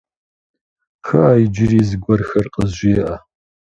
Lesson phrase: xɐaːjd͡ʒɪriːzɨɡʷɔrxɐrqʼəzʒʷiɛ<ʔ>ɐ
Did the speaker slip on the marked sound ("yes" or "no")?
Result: no